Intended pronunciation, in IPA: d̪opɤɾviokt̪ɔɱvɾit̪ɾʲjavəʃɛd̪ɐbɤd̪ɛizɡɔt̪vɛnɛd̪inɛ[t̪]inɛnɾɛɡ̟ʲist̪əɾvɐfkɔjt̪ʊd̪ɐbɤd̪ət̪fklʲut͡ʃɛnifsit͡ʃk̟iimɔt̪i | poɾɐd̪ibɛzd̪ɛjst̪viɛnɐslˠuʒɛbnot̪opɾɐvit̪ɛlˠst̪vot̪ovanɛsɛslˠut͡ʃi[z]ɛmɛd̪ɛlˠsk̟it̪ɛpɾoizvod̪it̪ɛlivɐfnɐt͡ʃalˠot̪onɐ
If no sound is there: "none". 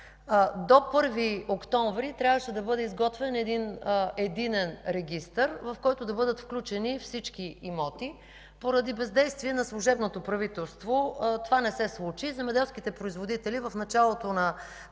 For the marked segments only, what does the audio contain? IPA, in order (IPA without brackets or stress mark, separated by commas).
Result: d̪, z